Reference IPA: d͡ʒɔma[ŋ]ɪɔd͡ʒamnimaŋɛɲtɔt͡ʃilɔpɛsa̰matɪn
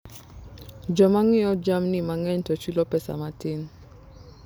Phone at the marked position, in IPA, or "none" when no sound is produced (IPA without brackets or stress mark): ŋ